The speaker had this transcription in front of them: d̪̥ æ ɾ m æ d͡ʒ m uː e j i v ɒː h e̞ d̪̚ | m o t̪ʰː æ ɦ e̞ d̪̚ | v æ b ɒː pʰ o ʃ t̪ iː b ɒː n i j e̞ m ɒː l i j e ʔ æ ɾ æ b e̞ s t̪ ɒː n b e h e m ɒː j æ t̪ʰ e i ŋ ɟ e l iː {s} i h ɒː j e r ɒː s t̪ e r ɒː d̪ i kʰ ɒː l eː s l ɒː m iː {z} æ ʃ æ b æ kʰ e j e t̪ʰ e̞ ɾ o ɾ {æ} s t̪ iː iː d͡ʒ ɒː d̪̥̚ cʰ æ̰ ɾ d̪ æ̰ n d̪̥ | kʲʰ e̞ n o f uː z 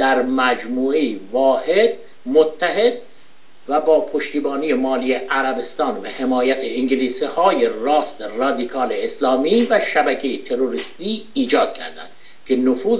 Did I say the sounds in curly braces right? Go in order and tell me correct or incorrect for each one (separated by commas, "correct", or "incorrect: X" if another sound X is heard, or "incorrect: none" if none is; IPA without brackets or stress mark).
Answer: correct, incorrect: v, incorrect: i